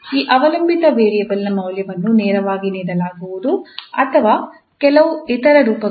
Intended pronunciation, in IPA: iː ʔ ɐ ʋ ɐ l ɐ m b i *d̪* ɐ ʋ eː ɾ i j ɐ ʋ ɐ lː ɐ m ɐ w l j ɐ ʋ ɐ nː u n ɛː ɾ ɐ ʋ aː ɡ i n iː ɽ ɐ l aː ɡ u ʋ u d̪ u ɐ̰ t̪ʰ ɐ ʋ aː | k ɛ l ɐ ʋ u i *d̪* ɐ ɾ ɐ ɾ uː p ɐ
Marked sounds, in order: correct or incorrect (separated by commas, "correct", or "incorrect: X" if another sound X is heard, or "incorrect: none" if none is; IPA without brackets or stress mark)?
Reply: incorrect: t̪, incorrect: t̪